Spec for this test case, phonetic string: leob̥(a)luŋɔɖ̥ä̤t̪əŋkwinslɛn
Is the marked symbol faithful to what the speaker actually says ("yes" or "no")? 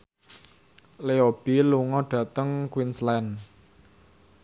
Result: no